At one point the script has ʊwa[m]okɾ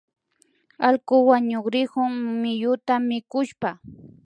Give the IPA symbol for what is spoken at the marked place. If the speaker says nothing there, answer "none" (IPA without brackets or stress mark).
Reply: ɲ